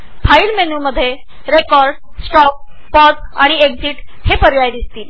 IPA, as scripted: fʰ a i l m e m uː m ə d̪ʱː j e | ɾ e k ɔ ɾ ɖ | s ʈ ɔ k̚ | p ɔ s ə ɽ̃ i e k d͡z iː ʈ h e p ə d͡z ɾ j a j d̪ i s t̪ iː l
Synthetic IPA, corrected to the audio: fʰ a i l m e n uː m ə d̪ʱː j e | ɾ e k ɔ ɾ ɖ | s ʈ ɔ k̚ | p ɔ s a ɽ̃ i e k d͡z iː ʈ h e p ə ɾ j a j d̪ i s t̪ iː l